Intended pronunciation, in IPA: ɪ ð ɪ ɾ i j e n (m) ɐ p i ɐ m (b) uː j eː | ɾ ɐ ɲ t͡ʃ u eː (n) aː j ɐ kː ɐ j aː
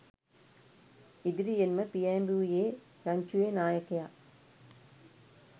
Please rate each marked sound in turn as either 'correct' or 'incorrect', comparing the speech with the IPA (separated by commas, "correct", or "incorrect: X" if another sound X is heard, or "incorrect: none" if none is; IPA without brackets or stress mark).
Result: correct, correct, correct